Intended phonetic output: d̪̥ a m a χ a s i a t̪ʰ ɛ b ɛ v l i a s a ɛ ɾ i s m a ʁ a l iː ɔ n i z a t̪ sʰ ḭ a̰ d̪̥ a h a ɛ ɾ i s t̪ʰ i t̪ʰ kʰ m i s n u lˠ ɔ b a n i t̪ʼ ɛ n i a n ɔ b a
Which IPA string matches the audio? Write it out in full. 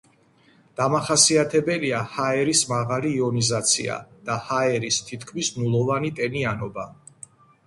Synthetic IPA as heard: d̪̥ a m a χ a s i a t̪ʰ ɛ b ɛ l i a h a ɛ ɾ i s m a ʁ a l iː ɔ n i z a t̪ sʰ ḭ a̰ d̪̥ a h a ɛ ɾ i s t̪ʰ i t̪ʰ kʰ m i s n u lˠ ɔ v a n i t̪ʼ ɛ n i a n ɔ b a